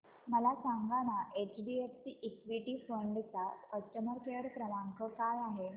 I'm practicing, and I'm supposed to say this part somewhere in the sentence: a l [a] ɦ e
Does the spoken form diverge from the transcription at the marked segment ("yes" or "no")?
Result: no